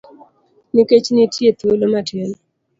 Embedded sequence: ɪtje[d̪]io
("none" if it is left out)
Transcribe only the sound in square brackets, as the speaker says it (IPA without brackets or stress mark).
t̪